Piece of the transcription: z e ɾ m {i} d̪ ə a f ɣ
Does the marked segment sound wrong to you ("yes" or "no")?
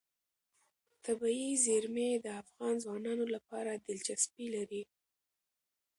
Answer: yes